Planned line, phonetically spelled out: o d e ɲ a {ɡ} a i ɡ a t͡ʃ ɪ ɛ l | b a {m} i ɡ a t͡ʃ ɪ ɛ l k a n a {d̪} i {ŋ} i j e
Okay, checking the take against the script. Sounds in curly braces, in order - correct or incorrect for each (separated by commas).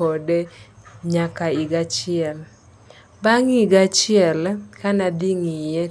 incorrect, incorrect, correct, correct